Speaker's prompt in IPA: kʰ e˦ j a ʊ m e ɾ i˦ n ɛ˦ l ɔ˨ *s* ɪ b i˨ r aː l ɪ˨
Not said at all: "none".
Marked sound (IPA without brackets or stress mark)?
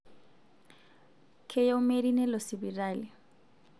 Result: s